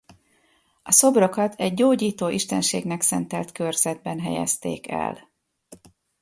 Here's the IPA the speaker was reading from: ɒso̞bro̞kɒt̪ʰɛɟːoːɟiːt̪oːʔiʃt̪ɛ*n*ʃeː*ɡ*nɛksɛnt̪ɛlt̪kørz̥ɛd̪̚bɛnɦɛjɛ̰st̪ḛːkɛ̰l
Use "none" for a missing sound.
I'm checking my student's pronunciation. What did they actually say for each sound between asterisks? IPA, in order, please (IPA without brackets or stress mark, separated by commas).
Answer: n, ɡ